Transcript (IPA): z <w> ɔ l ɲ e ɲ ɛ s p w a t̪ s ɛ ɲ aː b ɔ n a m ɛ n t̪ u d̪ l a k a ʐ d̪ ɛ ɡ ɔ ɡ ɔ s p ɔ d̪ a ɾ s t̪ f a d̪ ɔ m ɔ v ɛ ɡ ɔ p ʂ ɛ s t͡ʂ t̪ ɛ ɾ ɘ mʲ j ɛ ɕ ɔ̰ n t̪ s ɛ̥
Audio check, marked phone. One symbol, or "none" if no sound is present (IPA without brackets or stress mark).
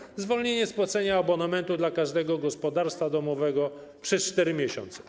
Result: v